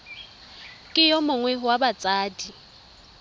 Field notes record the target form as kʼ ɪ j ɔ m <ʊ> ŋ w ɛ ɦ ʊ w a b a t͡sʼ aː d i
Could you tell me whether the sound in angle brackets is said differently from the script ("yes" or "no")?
no